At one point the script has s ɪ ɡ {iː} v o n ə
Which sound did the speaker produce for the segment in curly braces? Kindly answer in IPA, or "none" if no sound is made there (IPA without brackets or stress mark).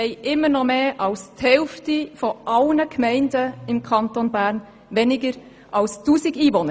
iː